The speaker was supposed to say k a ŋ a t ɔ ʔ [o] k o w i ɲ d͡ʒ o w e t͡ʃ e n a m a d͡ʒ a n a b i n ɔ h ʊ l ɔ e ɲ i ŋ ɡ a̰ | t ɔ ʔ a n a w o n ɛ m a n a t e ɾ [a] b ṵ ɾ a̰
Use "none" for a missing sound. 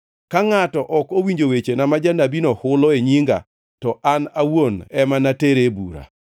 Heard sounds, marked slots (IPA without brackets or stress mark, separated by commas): ɔ, e